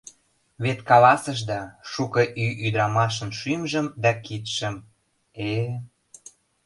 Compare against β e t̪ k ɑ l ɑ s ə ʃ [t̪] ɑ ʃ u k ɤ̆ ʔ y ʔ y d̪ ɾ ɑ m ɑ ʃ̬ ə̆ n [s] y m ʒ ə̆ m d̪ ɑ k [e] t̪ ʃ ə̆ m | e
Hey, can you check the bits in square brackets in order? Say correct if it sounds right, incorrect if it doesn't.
incorrect: d̪, incorrect: ʃ, incorrect: i

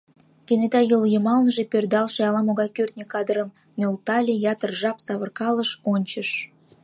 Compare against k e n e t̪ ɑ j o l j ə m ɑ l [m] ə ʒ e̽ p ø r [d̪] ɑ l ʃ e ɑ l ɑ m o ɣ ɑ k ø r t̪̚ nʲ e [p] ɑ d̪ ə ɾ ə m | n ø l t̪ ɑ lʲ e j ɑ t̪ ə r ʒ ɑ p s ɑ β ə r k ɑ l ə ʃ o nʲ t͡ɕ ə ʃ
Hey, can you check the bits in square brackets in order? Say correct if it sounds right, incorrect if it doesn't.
incorrect: n, correct, incorrect: k

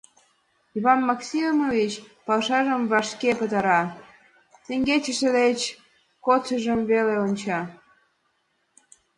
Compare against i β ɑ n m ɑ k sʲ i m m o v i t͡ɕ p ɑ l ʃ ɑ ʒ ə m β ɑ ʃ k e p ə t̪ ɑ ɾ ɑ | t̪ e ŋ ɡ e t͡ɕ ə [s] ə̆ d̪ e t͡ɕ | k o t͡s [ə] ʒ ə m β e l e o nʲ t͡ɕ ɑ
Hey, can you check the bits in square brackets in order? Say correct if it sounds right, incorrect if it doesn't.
incorrect: ʃ, correct

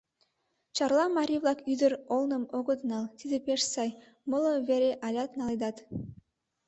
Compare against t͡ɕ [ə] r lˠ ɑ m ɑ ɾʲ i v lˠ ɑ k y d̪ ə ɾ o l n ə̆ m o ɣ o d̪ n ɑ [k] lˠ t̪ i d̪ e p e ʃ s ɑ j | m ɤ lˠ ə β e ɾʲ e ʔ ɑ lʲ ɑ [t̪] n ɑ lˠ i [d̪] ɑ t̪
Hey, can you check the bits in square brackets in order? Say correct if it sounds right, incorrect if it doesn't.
incorrect: ɑ, incorrect: none, correct, correct

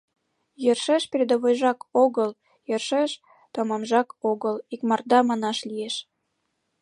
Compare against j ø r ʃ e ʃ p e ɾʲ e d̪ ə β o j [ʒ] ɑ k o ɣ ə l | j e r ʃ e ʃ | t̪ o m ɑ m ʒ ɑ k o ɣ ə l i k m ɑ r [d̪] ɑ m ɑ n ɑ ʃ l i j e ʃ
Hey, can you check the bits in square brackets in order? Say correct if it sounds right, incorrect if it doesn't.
correct, correct

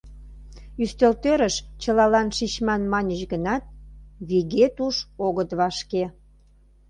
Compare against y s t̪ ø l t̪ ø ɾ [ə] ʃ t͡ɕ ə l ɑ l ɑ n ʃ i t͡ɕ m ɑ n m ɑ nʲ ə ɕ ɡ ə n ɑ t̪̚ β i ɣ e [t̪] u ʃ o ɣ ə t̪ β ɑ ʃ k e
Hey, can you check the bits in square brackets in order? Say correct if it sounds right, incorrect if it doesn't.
correct, correct

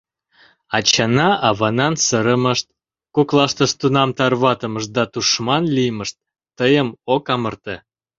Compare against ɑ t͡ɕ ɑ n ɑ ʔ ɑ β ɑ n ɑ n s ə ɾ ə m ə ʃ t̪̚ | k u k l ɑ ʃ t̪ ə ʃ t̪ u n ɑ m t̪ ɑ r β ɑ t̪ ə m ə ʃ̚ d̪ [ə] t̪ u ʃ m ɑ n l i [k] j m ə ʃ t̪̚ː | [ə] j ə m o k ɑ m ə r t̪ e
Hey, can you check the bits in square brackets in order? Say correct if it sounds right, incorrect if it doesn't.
incorrect: ɑ, incorrect: none, correct

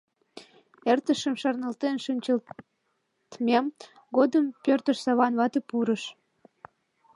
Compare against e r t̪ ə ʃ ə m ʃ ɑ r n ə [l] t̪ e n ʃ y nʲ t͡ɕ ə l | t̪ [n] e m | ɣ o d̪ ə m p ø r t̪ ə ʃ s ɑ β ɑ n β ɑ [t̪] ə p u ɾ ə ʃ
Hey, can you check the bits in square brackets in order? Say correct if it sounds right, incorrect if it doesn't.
correct, incorrect: m, correct

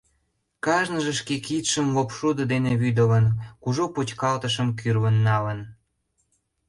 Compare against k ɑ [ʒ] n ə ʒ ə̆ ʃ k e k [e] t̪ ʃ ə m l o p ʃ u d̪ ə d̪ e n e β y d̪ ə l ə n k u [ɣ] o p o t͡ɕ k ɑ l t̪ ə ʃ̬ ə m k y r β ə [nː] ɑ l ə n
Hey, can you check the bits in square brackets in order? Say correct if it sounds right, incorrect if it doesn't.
correct, incorrect: i, incorrect: ʒ, correct

